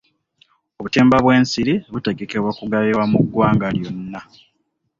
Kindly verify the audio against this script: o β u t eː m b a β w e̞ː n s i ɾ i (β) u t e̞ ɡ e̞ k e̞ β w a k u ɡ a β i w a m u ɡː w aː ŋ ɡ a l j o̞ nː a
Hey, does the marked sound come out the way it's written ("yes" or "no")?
yes